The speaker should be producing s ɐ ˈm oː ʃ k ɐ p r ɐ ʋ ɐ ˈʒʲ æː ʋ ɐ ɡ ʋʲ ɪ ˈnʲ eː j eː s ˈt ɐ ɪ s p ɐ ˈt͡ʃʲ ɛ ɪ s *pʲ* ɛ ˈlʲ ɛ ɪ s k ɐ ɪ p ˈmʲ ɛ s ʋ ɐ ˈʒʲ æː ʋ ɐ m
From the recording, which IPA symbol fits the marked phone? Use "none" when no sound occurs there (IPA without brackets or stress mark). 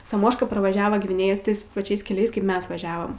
kʲ